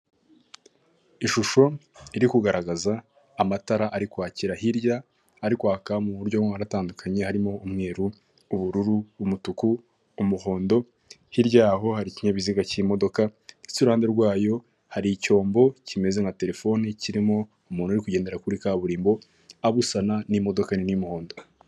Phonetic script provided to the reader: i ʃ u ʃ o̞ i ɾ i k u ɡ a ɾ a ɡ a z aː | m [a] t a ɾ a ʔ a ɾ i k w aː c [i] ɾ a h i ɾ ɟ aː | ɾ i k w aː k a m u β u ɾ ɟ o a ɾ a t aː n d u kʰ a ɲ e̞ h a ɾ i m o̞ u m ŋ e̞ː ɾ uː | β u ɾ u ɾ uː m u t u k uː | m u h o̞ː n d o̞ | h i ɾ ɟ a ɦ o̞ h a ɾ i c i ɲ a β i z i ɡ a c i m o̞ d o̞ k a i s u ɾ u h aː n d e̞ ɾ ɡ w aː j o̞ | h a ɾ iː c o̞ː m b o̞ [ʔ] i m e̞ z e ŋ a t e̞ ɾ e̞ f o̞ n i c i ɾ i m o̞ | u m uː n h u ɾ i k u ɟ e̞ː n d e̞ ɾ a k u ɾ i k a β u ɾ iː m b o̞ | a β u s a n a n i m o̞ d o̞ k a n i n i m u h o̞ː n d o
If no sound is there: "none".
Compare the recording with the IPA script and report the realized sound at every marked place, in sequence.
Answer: a, i, c

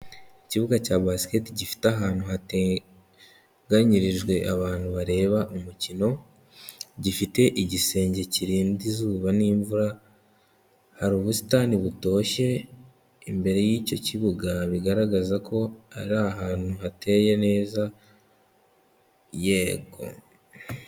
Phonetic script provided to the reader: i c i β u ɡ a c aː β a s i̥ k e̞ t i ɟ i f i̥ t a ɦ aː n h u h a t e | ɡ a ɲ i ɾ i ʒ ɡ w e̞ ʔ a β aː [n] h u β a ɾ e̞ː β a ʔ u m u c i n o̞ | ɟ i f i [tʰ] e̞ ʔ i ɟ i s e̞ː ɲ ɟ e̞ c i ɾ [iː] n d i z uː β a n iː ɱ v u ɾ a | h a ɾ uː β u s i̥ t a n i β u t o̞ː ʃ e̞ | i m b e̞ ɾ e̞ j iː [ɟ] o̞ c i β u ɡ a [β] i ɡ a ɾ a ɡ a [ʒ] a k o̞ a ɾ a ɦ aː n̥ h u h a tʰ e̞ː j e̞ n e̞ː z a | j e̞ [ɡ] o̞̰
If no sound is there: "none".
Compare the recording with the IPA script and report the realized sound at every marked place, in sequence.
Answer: n, t, iː, c, β, z, ɡ

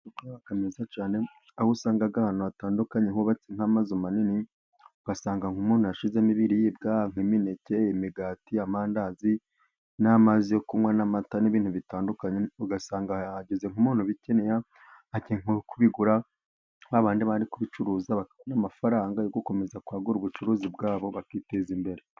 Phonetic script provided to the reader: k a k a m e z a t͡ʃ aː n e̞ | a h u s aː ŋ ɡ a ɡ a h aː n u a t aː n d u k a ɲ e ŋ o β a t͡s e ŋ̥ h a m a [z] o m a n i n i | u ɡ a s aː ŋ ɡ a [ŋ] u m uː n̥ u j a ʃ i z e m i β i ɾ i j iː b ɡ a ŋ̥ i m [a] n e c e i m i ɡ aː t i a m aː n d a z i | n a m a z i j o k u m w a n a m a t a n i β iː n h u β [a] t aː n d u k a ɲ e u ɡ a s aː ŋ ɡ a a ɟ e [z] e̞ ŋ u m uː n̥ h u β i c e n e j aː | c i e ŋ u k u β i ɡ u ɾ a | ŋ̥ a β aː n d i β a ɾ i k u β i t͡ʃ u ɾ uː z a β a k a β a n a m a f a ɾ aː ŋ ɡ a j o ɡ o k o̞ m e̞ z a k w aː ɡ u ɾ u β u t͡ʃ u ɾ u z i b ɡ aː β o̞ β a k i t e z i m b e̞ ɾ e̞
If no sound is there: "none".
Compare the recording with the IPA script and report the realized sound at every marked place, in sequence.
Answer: z, ŋ, i, i, z

